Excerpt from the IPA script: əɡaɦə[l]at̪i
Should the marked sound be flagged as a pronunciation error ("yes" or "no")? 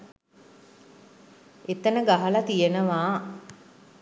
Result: no